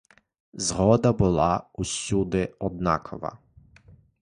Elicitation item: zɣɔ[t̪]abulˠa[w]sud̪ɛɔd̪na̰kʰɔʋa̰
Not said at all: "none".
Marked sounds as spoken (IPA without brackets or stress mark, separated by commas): d̪, u